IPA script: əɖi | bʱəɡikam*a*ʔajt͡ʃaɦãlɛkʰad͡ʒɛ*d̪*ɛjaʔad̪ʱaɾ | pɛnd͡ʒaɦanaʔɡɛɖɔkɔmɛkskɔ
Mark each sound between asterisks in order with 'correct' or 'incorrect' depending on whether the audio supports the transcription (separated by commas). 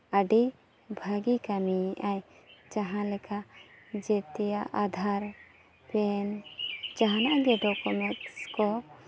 incorrect, incorrect